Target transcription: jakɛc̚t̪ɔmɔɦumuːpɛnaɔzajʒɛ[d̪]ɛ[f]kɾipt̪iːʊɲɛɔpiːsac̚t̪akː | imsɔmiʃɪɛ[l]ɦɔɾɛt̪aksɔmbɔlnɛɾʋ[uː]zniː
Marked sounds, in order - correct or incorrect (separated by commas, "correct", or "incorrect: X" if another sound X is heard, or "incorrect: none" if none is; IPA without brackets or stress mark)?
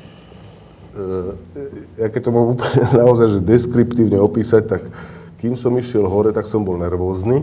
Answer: correct, incorrect: s, correct, incorrect: ɔː